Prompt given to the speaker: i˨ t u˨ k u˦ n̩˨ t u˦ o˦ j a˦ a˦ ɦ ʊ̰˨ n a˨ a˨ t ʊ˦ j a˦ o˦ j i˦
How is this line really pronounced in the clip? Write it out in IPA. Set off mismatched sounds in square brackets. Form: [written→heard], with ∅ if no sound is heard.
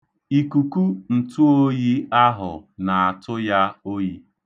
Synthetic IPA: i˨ [t→k] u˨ k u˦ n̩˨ t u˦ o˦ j [a˦→i˦] a˦ ɦ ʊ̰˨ n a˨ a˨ t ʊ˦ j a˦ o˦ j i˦